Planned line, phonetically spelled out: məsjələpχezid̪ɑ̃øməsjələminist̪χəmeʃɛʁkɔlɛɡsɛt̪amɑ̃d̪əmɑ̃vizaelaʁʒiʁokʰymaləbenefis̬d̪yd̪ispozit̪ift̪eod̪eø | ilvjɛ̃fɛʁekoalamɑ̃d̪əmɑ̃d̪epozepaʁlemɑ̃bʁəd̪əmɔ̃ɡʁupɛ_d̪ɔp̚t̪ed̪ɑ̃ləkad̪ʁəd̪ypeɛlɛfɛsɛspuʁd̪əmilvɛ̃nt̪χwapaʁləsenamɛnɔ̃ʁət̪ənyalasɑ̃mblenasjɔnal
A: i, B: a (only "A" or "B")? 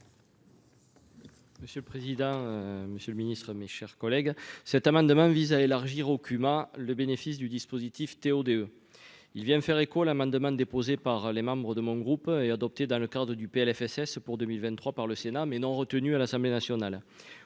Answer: B